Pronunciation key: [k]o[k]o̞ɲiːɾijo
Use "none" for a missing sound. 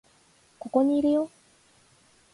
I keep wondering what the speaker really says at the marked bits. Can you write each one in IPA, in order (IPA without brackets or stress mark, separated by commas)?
k, k